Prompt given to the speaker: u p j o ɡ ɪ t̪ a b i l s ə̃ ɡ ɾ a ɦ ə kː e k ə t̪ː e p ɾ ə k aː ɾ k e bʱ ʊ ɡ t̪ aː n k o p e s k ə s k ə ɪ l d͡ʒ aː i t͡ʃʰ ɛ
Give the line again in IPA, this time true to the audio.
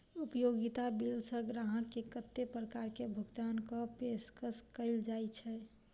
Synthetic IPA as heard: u p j o ɡ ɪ t̪ a b i l s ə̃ ɡ ɾ a ɦ ə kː e k ə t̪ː e p ɾ ə k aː ɾ k e bʱ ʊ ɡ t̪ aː n k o p e s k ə s k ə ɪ l d͡ʒ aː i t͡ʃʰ ɛ